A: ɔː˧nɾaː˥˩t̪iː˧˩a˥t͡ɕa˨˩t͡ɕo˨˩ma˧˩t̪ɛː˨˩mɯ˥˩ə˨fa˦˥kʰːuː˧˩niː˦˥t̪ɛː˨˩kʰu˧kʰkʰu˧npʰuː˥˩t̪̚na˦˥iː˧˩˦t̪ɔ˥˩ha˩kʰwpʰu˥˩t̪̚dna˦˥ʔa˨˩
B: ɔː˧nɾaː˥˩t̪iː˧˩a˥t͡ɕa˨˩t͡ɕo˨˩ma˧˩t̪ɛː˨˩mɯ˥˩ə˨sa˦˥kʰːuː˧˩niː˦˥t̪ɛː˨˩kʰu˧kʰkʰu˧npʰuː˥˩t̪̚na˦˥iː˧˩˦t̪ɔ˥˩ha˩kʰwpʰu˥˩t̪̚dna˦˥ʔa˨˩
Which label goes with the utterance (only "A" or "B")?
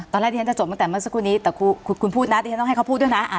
B